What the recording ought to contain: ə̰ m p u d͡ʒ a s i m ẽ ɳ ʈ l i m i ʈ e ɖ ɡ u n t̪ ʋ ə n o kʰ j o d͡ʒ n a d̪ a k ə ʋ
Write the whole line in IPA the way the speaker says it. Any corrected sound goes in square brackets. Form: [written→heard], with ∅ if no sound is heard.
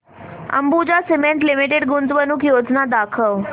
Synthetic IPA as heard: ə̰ m [p→b] u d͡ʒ a s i m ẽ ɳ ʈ l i m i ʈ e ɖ ɡ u n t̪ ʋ ə n [o→u] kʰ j o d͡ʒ n a d̪ a [k→kʰ] ə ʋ